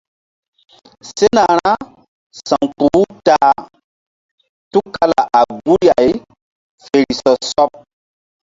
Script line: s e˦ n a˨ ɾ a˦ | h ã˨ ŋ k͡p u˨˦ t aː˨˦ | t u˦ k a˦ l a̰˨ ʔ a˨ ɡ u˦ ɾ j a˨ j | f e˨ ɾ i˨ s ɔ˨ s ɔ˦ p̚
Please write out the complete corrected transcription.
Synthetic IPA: s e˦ n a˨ ɾ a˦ | s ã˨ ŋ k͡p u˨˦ t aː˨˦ | t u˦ k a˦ l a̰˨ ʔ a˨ ɡ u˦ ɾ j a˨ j | f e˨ ɾ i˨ s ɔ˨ s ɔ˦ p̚